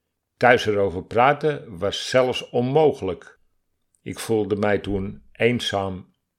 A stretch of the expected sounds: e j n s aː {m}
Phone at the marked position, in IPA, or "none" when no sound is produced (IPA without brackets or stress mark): m